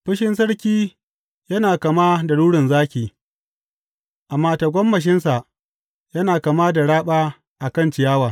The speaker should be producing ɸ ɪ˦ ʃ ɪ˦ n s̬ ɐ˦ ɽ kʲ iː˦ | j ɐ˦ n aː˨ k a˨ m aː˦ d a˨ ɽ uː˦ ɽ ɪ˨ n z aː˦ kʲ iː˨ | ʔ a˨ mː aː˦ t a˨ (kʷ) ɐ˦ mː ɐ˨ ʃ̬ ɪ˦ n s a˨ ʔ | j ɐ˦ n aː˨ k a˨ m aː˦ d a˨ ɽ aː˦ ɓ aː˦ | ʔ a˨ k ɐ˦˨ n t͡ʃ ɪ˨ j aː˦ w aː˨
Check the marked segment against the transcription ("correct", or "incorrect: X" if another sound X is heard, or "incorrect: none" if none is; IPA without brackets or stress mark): incorrect: ɡʷ